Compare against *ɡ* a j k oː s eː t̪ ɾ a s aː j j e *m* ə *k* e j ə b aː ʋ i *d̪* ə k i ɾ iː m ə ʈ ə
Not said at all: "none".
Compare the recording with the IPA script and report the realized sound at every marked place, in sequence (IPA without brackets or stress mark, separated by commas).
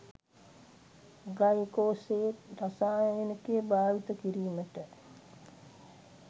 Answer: ɡ, n, k, t̪